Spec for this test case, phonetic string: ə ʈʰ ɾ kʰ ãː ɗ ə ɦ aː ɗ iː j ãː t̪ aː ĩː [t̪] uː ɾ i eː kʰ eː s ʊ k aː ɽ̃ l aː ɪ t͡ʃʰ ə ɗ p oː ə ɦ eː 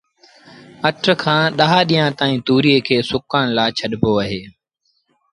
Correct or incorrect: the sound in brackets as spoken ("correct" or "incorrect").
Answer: correct